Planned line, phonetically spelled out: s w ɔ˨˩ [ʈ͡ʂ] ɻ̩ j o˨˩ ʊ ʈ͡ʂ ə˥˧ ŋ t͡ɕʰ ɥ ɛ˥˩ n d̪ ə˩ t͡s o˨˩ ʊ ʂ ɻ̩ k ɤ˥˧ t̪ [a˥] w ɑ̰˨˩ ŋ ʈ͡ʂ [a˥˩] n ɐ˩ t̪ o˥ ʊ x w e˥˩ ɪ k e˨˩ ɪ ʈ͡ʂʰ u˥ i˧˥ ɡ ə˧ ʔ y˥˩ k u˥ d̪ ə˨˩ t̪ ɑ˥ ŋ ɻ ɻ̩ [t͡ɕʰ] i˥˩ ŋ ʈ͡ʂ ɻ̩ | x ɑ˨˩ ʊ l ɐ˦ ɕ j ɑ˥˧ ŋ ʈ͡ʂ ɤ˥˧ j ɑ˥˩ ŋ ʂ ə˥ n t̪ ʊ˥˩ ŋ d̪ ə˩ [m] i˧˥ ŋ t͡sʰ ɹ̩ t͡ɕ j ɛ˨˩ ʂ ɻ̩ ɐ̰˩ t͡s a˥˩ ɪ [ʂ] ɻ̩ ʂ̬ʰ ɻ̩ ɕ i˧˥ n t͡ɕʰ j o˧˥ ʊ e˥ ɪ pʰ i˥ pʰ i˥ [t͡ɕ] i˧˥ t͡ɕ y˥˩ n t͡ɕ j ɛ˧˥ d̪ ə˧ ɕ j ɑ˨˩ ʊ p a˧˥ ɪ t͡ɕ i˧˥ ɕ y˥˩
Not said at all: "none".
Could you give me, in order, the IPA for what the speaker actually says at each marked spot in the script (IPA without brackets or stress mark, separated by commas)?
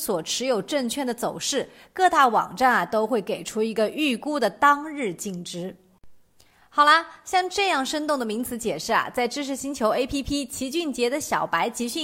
ʈ͡ʂʰ, a˥˩, a˥˩, t͡ɕ, m, ʈ͡ʂ, t͡ɕʰ